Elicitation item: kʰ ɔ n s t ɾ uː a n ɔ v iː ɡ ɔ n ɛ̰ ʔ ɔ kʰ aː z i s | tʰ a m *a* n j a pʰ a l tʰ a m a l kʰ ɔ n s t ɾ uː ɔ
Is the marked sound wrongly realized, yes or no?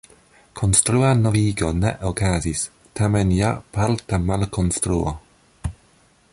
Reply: yes